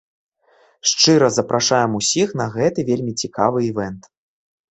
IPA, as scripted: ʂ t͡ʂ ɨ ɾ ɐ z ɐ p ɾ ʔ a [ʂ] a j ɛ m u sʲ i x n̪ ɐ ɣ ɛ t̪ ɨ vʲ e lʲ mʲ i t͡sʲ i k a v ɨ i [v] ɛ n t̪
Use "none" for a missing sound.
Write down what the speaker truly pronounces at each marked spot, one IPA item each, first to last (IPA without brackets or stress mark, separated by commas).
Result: ʂ, v